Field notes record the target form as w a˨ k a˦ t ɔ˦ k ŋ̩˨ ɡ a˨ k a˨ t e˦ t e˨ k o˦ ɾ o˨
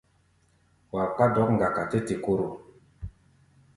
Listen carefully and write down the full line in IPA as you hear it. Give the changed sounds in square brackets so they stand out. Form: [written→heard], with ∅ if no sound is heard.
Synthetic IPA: w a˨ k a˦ [t→d] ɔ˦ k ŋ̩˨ ɡ a˨ k a˨ t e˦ t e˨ k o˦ ɾ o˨